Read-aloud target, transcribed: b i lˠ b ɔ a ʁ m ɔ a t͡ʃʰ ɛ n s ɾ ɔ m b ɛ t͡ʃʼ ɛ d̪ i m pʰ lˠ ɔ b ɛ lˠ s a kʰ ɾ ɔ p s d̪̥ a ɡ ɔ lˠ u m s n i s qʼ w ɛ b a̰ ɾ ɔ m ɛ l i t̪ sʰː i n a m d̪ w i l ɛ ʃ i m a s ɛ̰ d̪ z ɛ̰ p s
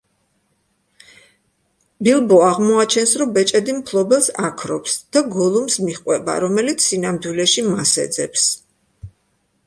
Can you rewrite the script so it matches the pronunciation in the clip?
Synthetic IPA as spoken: b i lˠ b ɔ a ʁ m ɔ a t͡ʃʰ ɛ n s ɾ ɔ m b ɛ t͡ʃʼ ɛ d̪ i m pʰ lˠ ɔ b ɛ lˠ s a kʰ ɾ ɔ p s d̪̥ a ɡ ɔ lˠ u m s m i χ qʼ w ɛ b a̰ ɾ ɔ m ɛ l i t̪ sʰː i n a m d̪ w i l ɛ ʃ i m a s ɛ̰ d̪ z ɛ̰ p s

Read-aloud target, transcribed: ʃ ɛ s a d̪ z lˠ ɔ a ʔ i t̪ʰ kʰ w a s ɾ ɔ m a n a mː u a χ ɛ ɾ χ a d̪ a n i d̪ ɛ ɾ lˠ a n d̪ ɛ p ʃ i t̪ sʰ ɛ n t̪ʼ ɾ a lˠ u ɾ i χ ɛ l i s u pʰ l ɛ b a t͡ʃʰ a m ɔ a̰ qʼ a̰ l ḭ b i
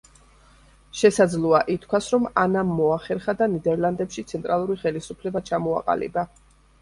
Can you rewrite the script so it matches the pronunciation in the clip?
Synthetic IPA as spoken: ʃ ɛ s a d̪ z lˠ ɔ a ʔ i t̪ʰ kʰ w a s ɾ ɔ m a n a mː ɔ a χ ɛ ɾ χ a d̪ a n i d̪ ɛ ɾ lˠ a n d̪ ɛ p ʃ i t̪ sʰ ɛ n t̪ʼ ɾ a lˠ u ɾ i χ ɛ l i s u pʰ l ɛ b a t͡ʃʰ a m ɔ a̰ qʼ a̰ l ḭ b a

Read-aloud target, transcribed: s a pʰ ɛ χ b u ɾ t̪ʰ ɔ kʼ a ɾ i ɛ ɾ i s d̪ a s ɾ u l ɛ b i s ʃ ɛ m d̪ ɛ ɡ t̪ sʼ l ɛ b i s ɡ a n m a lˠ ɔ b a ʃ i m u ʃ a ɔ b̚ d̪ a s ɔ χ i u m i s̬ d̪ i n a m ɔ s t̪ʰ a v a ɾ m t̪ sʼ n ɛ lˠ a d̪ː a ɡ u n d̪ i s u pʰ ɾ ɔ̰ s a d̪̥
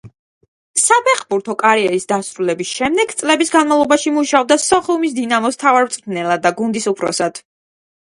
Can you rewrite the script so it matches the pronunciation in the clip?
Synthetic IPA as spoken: s a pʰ ɛ χ b u ɾ t̪ʰ ɔ kʼ a ɾ i ɛ ɾ i s d̪ a s ɾ u l ɛ b i s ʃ ɛ m d̪ ɛ ɡ t̪ sʼ l ɛ b i s ɡ a n m a lˠ ɔ b a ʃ i m u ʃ a ɔ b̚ d̪ a s ɔ χ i u m i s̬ d̪ i n a m ɔ s t̪ʰ a v a ɾ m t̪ sʼ n ɛ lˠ a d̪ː a ɡ u n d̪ i s u pʰ ɾ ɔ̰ s a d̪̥

